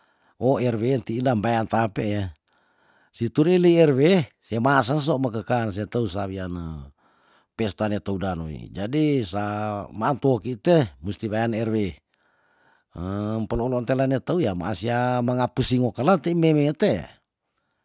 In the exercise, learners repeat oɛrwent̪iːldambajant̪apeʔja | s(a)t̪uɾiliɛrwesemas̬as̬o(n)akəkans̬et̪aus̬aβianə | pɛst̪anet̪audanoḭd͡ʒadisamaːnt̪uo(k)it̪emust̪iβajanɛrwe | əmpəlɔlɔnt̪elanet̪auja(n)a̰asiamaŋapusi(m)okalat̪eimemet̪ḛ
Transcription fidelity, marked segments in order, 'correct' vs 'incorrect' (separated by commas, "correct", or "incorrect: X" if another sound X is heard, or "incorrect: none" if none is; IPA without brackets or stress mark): incorrect: i, incorrect: m, correct, incorrect: m, incorrect: ŋ